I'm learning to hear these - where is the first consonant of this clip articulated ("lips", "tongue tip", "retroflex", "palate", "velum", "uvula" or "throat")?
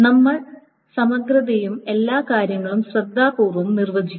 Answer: tongue tip